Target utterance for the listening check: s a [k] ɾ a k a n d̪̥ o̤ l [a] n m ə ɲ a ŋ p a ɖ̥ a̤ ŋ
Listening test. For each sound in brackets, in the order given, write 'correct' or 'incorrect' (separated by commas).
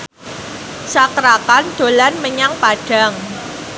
correct, correct